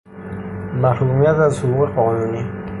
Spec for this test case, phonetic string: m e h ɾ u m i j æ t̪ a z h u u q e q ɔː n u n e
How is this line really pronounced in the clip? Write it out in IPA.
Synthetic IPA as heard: m a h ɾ u m i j a t̪ a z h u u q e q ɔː n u n i